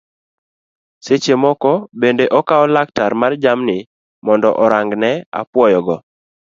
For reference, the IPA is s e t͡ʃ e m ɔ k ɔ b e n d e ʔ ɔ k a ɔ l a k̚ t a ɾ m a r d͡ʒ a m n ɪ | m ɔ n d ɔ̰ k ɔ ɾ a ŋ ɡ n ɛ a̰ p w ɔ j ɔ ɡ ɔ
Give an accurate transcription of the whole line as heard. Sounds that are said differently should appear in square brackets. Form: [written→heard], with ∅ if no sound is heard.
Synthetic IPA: s e t͡ʃ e m ɔ k ɔ b e n d e ʔ ɔ k a ɔ l a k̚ t a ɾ m a r d͡ʒ a m n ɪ | m ɔ n d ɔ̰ [k→ʔ] ɔ ɾ a ŋ ɡ n ɛ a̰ p w ɔ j ɔ ɡ ɔ